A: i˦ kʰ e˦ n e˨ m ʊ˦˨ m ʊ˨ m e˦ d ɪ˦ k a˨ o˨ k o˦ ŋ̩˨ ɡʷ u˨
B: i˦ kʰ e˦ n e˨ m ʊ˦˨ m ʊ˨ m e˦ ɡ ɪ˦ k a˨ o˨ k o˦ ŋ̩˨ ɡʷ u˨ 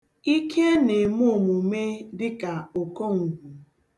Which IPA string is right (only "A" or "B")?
A